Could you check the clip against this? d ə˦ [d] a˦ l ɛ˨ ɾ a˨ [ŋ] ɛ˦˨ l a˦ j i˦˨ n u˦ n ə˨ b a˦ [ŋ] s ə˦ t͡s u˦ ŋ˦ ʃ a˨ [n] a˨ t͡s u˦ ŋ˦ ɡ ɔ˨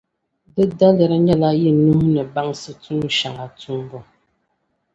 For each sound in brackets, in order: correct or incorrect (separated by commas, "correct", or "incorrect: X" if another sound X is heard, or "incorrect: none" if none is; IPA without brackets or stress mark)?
correct, incorrect: ɲ, correct, incorrect: ŋ